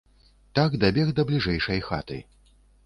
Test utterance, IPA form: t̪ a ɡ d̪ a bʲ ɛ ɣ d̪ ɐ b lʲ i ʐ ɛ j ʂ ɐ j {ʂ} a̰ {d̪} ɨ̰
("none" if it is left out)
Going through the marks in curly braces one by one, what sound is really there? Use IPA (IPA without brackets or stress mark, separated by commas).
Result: x, t̪